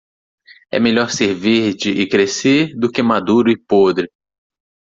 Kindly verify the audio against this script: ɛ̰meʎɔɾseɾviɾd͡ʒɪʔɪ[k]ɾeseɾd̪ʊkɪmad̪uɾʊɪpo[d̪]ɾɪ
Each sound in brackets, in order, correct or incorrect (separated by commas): correct, correct